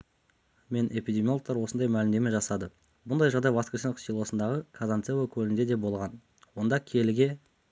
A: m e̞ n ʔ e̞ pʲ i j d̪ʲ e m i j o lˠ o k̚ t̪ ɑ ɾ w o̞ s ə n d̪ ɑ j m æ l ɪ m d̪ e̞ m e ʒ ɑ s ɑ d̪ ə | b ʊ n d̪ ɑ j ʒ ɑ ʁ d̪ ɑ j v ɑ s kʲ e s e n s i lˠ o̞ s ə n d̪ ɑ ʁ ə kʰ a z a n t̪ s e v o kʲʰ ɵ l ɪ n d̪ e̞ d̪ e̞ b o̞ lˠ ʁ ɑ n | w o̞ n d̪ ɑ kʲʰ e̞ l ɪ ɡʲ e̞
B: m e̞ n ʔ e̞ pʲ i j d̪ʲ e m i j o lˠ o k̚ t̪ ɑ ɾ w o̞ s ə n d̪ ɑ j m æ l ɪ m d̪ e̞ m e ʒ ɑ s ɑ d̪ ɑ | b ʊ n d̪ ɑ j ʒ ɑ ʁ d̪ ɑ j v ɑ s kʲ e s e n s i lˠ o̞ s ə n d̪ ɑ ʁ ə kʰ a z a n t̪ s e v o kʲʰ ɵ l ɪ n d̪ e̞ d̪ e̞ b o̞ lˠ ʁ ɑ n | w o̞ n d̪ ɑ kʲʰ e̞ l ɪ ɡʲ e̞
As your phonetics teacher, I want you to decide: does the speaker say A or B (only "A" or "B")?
A